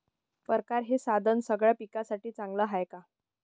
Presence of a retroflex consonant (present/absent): present